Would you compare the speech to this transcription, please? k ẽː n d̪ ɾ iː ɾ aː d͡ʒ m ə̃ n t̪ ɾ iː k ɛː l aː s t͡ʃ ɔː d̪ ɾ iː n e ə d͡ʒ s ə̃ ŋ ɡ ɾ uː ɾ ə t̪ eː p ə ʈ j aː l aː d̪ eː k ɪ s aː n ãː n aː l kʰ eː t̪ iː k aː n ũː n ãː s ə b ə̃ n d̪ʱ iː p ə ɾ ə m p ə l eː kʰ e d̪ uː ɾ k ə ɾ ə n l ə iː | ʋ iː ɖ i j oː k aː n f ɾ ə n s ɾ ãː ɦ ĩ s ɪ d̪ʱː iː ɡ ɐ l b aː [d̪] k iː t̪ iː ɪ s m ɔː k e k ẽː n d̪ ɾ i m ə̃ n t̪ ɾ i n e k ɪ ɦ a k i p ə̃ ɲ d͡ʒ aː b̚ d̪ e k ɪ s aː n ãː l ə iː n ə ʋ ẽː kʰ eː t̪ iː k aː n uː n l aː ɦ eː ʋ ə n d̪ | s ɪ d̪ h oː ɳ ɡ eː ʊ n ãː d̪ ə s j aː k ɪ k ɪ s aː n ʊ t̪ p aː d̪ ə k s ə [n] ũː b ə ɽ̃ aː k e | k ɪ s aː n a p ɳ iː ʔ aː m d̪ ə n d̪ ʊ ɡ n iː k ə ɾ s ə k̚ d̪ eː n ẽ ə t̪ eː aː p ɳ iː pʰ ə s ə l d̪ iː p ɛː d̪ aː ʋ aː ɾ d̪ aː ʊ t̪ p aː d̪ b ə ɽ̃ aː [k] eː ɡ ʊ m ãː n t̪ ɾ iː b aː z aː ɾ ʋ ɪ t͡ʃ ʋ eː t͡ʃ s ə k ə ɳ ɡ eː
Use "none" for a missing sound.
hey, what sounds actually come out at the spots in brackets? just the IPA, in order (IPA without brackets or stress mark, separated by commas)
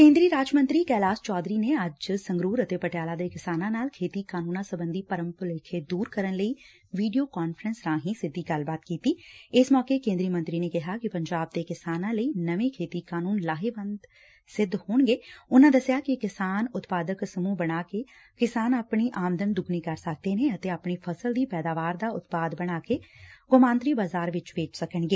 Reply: t̪, m, k